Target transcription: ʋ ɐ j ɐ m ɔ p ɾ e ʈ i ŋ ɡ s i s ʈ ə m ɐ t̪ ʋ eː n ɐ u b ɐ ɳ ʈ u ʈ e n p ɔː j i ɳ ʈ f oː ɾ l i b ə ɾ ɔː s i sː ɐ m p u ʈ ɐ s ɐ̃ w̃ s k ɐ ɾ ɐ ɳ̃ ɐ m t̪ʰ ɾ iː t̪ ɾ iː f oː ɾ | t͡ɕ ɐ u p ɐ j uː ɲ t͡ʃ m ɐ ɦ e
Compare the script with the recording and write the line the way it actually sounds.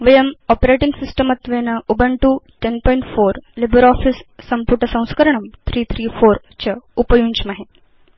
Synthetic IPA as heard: ʋ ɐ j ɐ m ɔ p ɾ e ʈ i ŋ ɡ s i s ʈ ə m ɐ t̪ ʋ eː n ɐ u b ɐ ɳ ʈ u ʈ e n p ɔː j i ɳ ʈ f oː ɾ l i b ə ɾ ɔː f i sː ɐ m p u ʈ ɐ s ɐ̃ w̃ s k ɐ ɾ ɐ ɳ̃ ɐ m t̪ʰ ɾ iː t̪ʰ ɾ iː f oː ɾ | t͡ɕ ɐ u p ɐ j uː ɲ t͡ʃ m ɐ ɦ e